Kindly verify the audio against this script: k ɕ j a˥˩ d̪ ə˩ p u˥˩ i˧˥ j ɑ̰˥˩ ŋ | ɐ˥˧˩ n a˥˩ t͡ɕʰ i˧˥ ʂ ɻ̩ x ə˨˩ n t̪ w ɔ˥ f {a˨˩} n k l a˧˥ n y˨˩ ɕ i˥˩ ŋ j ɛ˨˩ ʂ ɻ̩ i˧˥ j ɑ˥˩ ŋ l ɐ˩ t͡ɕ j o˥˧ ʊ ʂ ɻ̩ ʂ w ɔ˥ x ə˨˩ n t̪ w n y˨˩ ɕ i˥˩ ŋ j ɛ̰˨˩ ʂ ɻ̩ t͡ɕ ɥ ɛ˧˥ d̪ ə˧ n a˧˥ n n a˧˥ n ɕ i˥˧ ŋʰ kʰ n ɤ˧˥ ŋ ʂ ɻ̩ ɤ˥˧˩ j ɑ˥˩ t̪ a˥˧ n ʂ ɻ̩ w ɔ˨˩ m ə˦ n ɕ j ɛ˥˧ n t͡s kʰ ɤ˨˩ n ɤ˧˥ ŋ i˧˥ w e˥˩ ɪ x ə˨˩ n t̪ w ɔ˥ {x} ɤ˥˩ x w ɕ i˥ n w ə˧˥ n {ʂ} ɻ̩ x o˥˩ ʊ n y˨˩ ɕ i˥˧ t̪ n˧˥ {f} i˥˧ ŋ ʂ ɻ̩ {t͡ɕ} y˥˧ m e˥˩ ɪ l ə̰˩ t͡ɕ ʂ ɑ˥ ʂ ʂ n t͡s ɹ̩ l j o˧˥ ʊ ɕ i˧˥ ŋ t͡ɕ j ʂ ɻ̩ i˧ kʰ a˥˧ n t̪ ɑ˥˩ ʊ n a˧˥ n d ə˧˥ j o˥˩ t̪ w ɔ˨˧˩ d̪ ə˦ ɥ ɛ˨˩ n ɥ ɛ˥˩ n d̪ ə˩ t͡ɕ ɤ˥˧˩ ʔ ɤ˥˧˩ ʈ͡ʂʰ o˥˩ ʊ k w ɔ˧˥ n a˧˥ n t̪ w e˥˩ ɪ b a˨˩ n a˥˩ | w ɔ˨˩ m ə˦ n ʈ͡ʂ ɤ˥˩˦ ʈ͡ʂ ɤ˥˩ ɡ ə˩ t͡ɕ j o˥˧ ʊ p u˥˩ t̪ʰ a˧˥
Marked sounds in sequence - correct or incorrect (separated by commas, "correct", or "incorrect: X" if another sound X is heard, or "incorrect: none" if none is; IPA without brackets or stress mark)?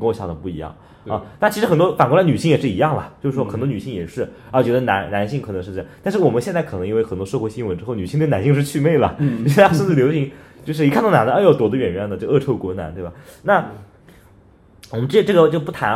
correct, incorrect: ʂ, incorrect: ʈ͡ʂ, incorrect: ɕ, incorrect: t͡ɕʰ